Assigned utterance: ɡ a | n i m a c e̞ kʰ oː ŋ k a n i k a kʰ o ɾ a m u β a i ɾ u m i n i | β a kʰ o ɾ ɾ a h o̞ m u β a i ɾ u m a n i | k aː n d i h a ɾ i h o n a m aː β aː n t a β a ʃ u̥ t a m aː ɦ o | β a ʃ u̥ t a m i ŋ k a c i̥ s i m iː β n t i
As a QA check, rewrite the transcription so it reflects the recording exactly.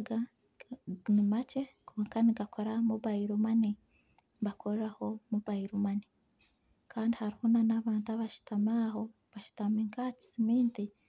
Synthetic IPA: ɡ a | n i m a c e̞ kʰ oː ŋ k a n i ɡ a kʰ o ɾ a m u β a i ɾ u m a n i | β a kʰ o ɾ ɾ a h o̞ m u β a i ɾ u m a n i | k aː n d i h a ɾ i h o n a n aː β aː n t a β a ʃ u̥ t a m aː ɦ o | β a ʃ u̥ t a m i ŋ k a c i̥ s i m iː n t i